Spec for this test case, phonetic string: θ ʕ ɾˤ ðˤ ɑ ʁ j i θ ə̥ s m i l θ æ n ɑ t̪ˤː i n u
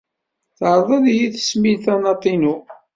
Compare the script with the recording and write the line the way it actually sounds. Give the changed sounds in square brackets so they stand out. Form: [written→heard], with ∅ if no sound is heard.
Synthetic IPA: θ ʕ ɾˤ ðˤ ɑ [ʁ→ð] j i θ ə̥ s m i l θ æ n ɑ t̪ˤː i n u